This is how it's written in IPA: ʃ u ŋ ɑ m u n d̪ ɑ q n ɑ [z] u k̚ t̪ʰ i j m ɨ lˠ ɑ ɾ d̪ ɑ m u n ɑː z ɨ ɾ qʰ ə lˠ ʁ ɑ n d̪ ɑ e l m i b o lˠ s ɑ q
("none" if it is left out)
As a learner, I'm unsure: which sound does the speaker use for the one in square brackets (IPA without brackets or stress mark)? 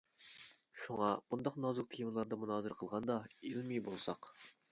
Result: z